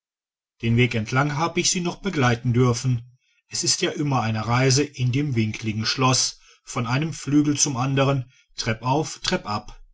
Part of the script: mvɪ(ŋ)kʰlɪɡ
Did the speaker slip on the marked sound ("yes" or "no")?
no